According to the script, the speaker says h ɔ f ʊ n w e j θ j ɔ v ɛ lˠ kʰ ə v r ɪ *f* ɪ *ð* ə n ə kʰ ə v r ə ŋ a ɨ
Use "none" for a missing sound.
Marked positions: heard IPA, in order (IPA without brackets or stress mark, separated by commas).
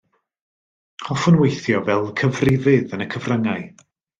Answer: v, ð